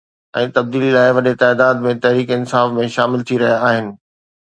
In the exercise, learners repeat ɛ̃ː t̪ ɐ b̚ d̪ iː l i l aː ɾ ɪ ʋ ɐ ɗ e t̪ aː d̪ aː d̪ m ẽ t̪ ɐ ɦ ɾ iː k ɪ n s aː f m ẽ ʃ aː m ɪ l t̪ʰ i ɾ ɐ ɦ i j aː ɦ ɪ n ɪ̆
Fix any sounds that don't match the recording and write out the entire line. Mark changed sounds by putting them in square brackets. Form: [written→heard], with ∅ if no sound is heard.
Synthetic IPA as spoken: ɛ̃ː t̪ ɐ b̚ d̪ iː l i l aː [ɾ→∅] ɪ ʋ ɐ ɗ e t̪ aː d̪ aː d̪ m ẽ t̪ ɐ ɦ ɾ iː k ɪ n s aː f m ẽ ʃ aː m ɪ l t̪ʰ i ɾ ɐ ɦ i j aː ɦ ɪ n ɪ̆